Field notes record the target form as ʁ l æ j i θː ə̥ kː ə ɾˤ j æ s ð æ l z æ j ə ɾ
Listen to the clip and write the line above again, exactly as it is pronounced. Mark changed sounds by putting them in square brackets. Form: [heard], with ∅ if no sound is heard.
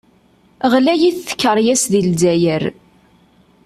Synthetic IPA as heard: ʁ l æ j i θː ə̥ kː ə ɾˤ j æ s ð [i] l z æ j ə ɾ